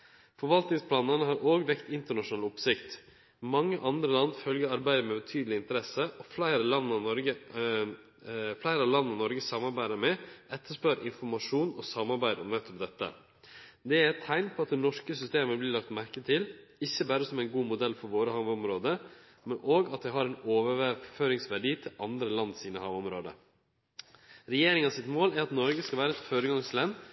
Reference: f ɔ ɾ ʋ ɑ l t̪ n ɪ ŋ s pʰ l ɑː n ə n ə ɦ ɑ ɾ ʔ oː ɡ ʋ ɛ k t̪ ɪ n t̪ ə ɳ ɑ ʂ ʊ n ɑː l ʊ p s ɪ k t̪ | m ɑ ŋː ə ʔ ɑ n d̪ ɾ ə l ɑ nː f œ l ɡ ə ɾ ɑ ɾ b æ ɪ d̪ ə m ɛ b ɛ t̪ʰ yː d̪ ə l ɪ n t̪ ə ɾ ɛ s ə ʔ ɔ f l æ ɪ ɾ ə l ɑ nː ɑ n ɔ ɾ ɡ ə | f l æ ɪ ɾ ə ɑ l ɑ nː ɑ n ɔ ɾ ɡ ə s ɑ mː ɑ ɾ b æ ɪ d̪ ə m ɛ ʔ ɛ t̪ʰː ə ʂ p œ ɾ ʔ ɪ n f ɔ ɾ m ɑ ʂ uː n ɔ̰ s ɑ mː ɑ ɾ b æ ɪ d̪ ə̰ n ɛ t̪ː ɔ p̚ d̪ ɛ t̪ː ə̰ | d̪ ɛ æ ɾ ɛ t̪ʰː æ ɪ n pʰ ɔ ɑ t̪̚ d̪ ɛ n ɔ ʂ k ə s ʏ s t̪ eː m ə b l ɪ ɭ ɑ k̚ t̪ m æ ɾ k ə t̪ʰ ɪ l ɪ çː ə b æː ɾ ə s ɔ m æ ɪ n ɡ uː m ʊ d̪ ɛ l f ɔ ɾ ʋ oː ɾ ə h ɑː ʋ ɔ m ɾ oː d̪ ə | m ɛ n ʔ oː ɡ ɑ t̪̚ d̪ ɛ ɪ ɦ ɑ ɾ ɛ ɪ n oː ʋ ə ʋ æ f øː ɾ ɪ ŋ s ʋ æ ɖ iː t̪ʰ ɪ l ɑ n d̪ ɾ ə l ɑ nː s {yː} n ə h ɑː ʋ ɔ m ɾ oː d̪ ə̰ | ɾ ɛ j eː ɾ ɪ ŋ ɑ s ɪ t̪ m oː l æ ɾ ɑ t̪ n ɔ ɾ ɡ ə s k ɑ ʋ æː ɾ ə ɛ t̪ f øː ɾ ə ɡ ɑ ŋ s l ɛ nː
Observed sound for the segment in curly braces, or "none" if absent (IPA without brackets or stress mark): iː